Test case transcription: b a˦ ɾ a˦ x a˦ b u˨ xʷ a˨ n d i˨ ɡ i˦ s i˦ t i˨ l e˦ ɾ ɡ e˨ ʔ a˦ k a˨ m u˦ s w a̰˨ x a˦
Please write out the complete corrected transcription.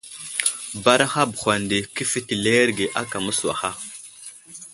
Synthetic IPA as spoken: b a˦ ɾ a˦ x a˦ b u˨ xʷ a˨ n d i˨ k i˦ f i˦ t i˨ l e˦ ɾ ɡ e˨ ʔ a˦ k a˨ m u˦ s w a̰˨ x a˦